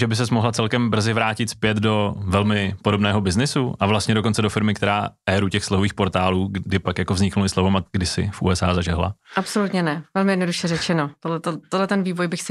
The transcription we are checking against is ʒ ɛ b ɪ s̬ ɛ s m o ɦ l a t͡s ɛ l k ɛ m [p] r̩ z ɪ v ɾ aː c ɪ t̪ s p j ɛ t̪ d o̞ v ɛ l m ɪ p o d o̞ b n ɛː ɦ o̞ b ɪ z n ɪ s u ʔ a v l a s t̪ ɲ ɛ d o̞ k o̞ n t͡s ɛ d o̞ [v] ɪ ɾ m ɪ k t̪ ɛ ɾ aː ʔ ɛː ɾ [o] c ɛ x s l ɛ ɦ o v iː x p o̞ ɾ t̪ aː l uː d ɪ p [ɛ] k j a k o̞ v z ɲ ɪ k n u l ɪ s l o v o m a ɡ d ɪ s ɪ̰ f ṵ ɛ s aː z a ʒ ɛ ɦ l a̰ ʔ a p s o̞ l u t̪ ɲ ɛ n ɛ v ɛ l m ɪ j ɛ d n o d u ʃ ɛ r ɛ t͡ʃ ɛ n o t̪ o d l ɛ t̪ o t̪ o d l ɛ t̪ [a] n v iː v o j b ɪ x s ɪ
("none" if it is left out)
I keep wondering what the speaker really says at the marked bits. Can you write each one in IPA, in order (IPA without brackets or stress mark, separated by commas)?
b, f, u, a, ɛ